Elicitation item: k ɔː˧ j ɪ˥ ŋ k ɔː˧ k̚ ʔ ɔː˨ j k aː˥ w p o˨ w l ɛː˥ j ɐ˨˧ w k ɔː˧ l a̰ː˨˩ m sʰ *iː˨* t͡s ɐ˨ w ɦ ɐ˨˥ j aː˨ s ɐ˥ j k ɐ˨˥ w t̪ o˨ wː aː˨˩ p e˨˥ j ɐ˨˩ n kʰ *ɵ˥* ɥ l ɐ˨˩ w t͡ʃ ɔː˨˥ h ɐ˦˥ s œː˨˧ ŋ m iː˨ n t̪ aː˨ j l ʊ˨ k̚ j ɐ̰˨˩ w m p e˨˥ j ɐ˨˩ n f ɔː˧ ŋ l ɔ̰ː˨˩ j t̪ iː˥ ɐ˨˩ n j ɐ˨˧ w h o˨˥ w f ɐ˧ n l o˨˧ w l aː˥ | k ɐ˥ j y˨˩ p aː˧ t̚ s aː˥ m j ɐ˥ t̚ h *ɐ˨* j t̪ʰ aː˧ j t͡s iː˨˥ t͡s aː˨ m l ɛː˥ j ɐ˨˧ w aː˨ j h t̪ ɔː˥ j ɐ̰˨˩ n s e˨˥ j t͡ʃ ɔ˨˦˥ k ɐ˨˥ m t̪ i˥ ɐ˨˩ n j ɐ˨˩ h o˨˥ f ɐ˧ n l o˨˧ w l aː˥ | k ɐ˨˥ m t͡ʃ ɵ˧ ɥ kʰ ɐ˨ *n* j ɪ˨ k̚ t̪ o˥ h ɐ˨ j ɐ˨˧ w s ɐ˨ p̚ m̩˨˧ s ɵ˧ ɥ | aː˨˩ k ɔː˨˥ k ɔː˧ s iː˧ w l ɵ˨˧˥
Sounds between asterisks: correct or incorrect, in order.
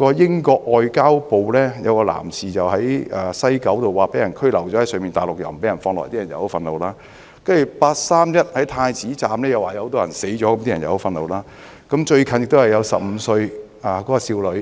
correct, correct, incorrect, correct

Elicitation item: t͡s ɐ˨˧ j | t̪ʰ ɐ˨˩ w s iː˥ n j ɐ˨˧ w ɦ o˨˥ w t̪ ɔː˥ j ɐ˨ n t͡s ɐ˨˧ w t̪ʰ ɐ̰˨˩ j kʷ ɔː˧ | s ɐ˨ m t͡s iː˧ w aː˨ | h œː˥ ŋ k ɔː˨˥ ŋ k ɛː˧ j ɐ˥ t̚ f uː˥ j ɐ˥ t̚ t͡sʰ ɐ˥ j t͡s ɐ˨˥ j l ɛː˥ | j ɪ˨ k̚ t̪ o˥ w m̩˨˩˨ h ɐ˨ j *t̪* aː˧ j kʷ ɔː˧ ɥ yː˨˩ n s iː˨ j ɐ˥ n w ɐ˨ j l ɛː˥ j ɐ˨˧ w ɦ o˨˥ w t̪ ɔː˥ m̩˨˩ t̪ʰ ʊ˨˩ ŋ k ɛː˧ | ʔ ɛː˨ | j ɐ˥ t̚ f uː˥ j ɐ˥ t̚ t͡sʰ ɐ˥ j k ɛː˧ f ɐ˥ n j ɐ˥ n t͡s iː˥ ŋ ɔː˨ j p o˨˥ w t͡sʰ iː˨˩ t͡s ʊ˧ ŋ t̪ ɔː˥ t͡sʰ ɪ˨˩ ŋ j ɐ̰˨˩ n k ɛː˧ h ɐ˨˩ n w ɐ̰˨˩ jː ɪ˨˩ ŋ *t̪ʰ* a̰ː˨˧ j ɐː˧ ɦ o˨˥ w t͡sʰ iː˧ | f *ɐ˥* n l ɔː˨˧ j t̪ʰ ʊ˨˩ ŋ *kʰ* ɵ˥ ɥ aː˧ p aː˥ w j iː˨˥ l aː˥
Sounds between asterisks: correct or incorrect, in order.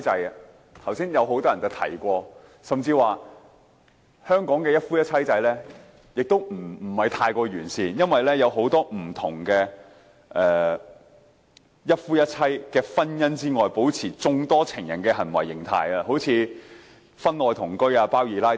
incorrect, correct, correct, incorrect

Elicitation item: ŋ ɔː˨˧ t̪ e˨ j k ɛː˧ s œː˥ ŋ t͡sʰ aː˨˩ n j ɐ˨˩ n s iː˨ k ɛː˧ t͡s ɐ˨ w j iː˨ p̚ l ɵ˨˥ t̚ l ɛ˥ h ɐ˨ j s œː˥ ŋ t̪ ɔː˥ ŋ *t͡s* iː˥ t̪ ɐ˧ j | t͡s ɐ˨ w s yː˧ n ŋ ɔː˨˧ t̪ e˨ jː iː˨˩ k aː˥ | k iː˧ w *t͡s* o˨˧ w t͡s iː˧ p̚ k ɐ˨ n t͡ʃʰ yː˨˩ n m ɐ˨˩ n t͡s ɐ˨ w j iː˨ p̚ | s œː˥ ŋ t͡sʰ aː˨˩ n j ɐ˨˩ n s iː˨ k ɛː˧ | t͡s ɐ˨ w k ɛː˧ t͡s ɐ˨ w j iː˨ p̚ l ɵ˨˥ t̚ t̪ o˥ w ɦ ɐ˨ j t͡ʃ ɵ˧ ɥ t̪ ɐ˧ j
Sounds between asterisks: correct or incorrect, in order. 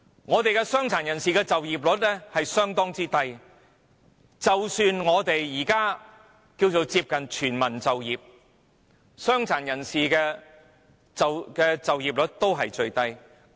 correct, correct

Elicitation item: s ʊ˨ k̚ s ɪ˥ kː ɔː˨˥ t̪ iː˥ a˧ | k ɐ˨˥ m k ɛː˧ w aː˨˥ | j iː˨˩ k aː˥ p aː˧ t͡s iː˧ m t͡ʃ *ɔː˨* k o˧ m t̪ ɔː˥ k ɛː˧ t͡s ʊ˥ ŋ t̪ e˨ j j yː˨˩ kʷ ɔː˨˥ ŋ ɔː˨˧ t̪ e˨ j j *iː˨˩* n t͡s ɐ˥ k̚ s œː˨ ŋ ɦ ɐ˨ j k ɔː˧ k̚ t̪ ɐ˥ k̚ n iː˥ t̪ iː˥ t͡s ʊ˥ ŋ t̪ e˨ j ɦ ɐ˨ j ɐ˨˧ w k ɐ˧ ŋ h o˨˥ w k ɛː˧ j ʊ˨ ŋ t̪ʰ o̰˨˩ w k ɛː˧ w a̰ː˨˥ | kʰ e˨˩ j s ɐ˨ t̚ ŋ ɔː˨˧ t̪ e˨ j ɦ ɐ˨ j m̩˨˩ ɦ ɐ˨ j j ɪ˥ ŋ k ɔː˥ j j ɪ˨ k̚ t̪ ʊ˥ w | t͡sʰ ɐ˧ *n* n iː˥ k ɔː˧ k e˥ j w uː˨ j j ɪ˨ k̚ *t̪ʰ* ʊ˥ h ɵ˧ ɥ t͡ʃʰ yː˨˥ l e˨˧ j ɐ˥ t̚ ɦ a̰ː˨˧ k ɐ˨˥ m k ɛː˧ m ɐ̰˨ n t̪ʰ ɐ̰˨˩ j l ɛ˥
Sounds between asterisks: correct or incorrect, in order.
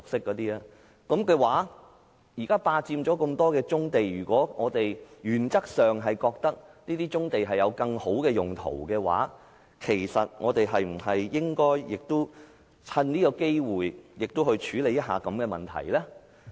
incorrect, incorrect, correct, incorrect

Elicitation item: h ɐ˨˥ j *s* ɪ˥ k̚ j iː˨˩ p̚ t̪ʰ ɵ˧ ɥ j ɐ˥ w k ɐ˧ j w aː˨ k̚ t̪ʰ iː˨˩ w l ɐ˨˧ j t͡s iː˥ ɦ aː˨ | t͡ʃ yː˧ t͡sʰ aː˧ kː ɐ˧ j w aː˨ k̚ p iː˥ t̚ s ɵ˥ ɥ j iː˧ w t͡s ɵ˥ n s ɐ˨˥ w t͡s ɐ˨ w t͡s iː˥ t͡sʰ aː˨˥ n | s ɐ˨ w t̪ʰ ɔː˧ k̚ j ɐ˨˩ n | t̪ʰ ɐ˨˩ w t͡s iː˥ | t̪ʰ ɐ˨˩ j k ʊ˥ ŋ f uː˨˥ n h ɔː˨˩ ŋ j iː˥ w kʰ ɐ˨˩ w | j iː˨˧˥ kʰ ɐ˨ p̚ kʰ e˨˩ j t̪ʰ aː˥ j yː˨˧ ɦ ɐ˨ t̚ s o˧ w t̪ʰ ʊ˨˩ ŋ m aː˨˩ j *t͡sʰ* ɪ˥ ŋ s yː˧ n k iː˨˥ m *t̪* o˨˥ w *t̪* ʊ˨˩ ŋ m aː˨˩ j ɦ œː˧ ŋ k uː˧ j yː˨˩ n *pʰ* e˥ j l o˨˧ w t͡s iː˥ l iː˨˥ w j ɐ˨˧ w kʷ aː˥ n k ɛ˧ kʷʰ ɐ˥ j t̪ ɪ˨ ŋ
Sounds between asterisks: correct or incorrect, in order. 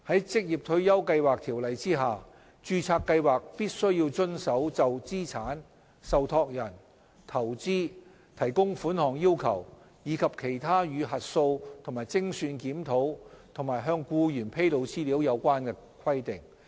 incorrect, incorrect, incorrect, incorrect, correct

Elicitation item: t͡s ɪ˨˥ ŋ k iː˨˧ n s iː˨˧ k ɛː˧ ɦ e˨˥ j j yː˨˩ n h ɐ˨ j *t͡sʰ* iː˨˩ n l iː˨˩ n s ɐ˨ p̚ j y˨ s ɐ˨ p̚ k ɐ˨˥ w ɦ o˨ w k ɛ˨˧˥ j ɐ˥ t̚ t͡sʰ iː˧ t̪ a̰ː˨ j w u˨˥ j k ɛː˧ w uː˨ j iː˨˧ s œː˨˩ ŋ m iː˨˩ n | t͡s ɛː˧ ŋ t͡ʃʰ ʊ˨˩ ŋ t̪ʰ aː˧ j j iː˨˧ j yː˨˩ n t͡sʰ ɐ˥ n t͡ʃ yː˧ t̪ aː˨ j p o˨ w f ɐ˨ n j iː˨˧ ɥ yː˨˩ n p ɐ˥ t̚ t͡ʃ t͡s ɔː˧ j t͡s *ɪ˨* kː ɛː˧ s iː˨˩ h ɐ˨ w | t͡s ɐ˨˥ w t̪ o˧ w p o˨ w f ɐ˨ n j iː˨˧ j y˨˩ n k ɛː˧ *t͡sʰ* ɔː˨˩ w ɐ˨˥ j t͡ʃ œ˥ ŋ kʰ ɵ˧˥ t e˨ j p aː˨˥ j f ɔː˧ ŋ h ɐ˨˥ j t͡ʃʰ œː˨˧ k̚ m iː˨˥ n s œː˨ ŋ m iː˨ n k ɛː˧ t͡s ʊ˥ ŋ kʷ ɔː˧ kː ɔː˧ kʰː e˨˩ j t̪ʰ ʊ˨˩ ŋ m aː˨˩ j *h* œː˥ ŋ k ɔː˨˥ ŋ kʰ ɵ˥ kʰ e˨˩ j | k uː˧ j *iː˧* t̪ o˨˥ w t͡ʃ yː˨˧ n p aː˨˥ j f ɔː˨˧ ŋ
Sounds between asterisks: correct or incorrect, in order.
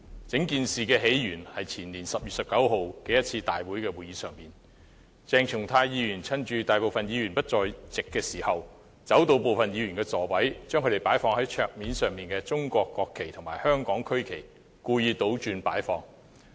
correct, correct, incorrect, correct, correct

